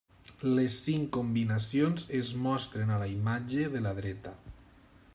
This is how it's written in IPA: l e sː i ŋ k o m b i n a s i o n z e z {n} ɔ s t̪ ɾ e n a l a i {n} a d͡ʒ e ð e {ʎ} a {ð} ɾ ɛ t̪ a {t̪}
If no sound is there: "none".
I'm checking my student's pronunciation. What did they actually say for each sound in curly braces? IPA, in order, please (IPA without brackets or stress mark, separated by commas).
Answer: m, m, l, ð, none